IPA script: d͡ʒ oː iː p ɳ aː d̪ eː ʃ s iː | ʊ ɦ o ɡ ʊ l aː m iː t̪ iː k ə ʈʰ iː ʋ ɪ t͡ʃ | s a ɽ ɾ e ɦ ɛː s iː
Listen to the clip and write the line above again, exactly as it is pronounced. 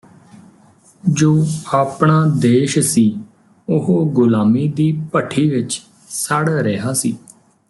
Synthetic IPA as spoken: d͡ʒ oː aː p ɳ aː d̪ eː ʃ s iː | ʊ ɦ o ɡ ʊ l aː m iː d̪ iː p ə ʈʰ iː ʋ ɪ t͡ʃ | s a ɽ ɾ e ɦ aː s iː